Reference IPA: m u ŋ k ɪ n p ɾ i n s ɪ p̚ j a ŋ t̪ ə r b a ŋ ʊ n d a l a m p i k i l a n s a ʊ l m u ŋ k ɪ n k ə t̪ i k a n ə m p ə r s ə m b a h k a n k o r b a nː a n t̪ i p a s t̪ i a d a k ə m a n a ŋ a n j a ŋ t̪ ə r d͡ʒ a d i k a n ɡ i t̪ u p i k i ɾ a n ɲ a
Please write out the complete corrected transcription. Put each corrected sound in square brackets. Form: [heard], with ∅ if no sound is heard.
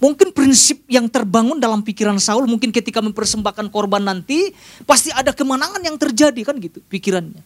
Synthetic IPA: m u ŋ k ɪ n p ɾ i n s ɪ p̚ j a ŋ t̪ ə r b a ŋ ʊ n d a l a m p i k i [ɾ] a n s a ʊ l m u ŋ k ɪ n k ə t̪ i k a [m] ə m p ə r s ə m b a h k a n k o r b a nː a n t̪ i p a s t̪ i a d a k ə m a n a ŋ a n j a ŋ t̪ ə r d͡ʒ a d i k a n ɡ i t̪ u p i k i ɾ a n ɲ a